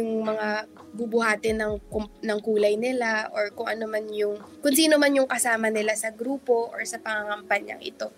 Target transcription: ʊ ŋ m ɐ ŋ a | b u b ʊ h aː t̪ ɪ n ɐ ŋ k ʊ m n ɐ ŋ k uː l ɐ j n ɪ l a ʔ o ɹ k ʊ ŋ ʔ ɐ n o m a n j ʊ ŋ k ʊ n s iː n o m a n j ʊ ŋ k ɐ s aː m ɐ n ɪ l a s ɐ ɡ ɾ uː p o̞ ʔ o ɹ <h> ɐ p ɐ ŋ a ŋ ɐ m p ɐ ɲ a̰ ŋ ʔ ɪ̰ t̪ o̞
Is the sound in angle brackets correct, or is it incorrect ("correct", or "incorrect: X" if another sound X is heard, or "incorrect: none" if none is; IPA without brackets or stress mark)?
incorrect: s